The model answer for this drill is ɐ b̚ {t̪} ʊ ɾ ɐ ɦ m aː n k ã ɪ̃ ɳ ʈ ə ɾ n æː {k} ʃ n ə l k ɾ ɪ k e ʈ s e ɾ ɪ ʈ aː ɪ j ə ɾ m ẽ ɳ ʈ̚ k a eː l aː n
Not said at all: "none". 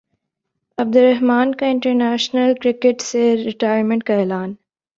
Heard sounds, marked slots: d̪, none

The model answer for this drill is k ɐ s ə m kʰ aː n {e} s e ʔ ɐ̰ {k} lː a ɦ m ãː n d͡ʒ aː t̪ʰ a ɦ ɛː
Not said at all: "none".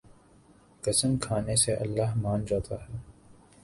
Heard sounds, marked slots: e, none

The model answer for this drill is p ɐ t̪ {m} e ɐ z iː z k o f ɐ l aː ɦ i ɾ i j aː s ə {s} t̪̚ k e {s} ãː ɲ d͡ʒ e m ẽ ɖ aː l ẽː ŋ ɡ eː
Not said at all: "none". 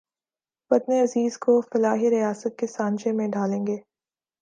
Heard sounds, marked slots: n, none, s

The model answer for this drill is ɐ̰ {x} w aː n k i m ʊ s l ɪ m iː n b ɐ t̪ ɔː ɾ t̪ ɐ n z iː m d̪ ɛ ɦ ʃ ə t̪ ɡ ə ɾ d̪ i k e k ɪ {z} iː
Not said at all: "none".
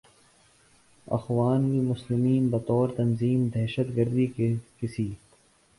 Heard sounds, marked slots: x, s

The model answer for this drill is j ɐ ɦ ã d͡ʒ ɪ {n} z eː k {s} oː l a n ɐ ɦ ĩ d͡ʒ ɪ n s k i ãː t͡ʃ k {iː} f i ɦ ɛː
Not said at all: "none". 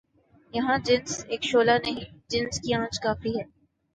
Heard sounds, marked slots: n, ʃ, aː

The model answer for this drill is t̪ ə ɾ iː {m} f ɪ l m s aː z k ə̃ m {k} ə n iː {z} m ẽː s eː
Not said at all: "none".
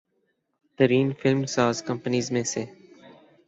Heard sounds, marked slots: n, p, z

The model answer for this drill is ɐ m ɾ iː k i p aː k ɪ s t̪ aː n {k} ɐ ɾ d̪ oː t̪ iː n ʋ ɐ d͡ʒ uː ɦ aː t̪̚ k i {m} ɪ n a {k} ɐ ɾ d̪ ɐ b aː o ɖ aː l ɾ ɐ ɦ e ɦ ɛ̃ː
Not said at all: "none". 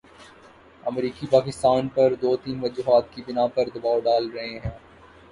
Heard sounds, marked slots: p, b, p

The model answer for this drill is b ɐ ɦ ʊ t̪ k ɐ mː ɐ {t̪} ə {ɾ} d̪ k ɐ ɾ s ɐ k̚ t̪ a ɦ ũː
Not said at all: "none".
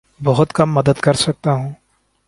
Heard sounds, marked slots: d̪, none

